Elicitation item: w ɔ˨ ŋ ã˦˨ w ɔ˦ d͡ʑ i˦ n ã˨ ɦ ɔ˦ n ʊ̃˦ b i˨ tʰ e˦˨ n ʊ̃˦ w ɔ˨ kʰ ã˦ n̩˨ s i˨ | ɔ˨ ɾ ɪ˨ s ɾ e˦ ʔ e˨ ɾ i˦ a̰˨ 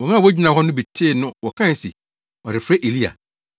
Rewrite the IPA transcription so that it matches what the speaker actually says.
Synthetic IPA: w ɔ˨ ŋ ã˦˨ w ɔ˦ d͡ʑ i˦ n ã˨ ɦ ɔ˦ n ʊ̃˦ b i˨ tʰ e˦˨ n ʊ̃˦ w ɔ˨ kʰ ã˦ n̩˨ s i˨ | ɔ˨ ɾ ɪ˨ f ɾ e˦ ʔ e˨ l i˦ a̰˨